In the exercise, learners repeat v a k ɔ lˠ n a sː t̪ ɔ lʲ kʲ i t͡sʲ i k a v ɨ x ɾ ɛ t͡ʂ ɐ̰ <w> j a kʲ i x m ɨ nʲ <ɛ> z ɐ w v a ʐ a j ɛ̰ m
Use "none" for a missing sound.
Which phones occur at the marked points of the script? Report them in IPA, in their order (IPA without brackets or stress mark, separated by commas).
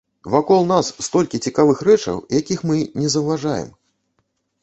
w, ɛ